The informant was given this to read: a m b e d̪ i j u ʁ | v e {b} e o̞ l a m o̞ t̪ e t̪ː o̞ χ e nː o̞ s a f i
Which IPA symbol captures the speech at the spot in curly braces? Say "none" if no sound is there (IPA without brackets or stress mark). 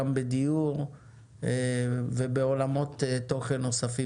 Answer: b